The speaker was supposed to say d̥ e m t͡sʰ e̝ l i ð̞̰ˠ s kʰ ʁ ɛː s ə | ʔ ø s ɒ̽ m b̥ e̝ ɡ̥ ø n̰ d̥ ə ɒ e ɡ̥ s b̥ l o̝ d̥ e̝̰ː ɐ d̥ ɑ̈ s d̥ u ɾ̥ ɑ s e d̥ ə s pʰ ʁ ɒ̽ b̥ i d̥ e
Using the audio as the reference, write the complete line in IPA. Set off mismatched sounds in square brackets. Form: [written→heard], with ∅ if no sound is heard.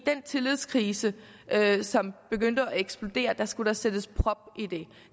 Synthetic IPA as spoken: d̥ e [m→n] t͡sʰ e̝ l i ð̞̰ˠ s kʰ ʁ [ɛː→iː] s ə | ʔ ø s ɒ̽ m b̥ e̝ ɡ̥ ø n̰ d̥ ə ɒ e ɡ̥ s b̥ l o̝ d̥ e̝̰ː ɐ d̥ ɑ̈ s [d̥→ɡ̥] u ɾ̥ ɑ s e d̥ ə s pʰ ʁ ɒ̽ b̥ i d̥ e